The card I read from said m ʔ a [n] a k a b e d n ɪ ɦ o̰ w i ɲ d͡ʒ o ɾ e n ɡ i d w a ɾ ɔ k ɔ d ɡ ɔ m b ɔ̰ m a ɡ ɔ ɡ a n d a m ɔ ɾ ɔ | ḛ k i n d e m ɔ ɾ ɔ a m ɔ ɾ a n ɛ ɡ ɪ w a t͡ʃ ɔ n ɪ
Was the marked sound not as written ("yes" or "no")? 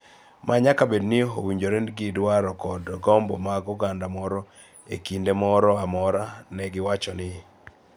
yes